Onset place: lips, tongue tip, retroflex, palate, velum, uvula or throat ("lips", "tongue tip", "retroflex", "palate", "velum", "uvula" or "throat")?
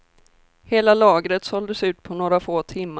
throat